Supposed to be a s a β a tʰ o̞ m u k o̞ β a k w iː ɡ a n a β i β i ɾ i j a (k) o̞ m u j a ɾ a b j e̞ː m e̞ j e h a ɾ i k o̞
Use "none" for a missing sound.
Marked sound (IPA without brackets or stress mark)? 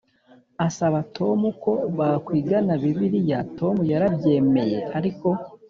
t